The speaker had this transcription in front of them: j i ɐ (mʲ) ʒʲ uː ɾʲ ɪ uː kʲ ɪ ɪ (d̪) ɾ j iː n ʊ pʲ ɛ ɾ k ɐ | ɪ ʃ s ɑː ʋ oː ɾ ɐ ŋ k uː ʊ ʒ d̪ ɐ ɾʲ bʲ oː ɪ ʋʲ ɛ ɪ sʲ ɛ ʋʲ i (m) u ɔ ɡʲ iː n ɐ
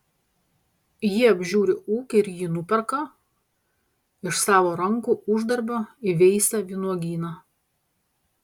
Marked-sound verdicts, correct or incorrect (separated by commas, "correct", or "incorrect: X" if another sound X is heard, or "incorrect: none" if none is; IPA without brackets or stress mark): incorrect: bʲ, incorrect: none, incorrect: n